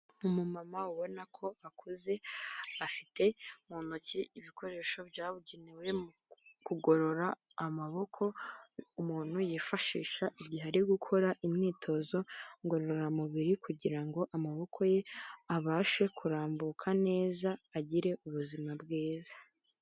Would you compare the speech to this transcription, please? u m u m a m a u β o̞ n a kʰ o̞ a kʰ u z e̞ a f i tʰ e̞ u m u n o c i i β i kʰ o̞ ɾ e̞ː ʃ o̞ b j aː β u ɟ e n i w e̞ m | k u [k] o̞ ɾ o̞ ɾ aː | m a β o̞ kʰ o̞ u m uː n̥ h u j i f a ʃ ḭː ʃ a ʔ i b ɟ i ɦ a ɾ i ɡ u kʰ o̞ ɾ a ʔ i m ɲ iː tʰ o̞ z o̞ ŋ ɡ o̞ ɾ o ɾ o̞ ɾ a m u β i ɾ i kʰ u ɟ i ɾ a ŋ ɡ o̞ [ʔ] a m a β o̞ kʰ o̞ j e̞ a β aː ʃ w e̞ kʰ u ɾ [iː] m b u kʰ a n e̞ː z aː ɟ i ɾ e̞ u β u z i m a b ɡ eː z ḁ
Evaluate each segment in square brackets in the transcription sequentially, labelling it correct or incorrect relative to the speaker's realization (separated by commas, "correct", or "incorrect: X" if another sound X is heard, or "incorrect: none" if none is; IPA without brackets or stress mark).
incorrect: ɡ, correct, incorrect: aː